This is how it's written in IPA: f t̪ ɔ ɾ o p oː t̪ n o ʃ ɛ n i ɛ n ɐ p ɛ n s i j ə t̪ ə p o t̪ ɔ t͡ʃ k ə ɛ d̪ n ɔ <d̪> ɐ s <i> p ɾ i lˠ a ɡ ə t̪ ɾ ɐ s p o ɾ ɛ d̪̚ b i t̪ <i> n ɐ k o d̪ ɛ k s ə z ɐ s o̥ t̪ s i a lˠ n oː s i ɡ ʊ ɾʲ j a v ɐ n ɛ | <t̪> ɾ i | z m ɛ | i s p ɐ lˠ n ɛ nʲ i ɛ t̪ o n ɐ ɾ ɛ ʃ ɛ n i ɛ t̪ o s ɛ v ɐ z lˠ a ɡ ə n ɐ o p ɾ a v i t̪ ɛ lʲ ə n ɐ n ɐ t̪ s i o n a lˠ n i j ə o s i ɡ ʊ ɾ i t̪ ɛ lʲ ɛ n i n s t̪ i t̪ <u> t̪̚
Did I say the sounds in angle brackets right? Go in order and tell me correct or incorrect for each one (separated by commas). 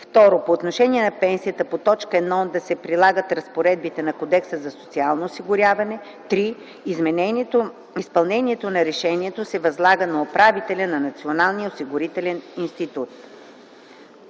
correct, incorrect, incorrect, correct, correct